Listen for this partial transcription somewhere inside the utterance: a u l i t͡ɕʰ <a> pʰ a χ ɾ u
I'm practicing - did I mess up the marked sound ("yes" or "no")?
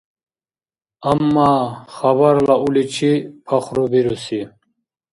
yes